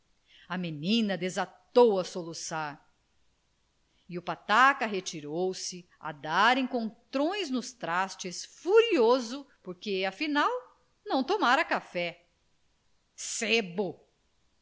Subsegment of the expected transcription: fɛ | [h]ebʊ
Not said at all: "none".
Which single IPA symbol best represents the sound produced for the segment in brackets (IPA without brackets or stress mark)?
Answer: s